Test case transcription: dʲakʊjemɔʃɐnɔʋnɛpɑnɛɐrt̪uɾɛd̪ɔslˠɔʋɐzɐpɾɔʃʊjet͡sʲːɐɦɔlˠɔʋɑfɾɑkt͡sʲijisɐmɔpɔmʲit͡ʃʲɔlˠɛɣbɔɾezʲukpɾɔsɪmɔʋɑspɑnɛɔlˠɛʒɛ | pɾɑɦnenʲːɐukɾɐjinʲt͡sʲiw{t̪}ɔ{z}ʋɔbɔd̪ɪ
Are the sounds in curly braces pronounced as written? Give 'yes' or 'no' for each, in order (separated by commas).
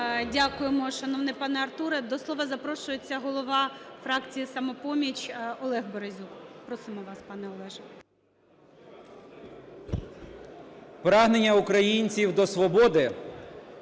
no, no